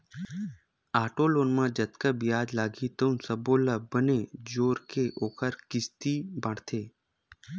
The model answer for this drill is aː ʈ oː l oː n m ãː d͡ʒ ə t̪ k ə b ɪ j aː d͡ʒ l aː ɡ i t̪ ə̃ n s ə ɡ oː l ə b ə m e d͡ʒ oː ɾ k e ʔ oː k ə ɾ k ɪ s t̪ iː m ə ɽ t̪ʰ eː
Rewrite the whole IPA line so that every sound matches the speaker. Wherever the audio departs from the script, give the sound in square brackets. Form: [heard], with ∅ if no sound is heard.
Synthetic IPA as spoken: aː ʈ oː l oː n m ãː d͡ʒ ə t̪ k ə b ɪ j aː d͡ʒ l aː ɡ i t̪ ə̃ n s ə [b] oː l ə b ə [n] e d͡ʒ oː ɾ k e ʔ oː k ə ɾ k ɪ s t̪ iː [b] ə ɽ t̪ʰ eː